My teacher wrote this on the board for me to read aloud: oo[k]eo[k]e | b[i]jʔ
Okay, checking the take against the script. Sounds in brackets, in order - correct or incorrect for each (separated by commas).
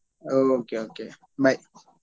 correct, correct, incorrect